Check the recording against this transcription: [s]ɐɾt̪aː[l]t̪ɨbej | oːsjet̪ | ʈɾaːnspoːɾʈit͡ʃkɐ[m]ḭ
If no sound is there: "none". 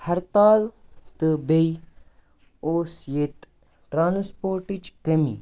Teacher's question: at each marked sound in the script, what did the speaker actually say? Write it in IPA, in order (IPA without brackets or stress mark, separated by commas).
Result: h, l, m